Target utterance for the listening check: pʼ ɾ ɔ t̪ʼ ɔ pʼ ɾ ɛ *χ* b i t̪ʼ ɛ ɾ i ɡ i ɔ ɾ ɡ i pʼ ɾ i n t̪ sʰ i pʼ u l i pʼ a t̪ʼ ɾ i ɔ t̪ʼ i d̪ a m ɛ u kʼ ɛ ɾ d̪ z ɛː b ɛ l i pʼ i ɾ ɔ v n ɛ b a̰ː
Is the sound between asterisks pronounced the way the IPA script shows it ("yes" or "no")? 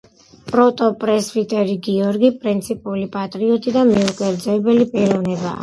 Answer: no